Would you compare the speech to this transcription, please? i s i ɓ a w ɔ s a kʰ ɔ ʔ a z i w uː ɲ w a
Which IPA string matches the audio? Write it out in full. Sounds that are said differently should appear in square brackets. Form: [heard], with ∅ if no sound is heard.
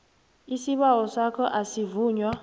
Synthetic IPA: i s i ɓ a w ɔ s a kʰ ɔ ʔ a [s] i [v] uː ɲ w a